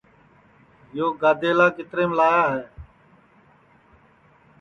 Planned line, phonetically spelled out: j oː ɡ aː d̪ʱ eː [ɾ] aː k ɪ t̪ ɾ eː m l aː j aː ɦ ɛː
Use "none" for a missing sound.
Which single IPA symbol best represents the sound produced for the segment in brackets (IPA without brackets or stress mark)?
l